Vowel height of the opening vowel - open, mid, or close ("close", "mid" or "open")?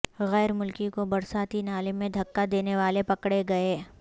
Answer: mid